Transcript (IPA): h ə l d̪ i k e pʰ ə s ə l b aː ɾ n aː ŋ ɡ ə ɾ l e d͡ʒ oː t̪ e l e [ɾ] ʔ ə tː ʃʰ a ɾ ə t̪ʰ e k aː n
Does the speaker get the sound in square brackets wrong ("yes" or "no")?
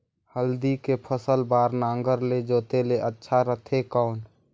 yes